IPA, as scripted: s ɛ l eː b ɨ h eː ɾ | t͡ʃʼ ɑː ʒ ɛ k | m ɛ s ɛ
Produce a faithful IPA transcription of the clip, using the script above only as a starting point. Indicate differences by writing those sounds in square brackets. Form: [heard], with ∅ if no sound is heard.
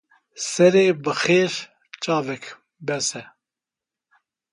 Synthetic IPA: s ɛ [ɾ] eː b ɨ [x] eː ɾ | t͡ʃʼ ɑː [v] ɛ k | [b] ɛ s ɛ